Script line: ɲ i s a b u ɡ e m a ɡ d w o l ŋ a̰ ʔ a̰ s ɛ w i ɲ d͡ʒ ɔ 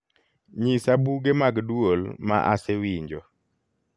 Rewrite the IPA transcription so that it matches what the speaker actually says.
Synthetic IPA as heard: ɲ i s a b u ɡ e m a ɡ d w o l m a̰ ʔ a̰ s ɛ w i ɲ d͡ʒ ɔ